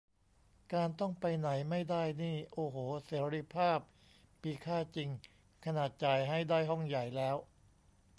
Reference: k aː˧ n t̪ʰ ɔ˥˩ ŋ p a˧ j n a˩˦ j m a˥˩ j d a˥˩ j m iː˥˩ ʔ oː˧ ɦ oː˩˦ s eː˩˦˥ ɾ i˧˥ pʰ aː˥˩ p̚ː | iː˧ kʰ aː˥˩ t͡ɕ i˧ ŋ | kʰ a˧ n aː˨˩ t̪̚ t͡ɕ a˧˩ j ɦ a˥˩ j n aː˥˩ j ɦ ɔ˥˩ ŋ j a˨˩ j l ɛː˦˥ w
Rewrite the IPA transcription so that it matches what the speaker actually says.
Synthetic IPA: k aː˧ n t̪ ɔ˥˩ ŋ p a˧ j n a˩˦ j m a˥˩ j d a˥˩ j n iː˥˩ ʔ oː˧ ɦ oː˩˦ s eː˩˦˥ ɾ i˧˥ pʰ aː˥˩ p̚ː | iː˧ kʰ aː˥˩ t͡ɕ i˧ ŋ | kʰ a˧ n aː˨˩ t̪̚ t͡ɕ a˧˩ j ɦ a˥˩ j d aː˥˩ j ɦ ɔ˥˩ ŋ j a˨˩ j l ɛː˦˥ w